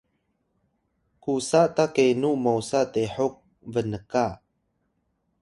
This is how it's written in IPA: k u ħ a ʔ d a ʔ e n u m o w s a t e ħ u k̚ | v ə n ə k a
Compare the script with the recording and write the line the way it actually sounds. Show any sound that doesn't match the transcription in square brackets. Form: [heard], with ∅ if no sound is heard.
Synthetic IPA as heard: k u [s] a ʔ [t] a [k] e n u m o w s a t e ħ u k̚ | v ə n ə k a